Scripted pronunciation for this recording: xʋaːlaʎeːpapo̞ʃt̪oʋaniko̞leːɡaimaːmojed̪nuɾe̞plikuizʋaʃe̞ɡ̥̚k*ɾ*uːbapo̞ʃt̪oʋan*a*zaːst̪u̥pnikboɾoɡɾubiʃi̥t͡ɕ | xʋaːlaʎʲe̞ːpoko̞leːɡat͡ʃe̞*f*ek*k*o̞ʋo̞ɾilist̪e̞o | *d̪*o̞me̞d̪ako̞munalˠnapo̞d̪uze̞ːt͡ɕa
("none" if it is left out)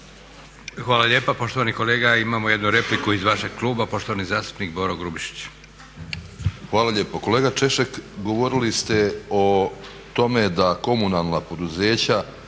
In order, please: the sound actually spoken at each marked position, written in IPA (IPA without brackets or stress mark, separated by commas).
l, i, ʃ, ɡ, t̪